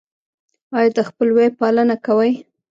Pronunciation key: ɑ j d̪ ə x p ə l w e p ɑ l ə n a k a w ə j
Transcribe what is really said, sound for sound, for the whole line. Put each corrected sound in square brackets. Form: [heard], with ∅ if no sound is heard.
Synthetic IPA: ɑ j d̪ ə x p ə l w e p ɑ l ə n a k a w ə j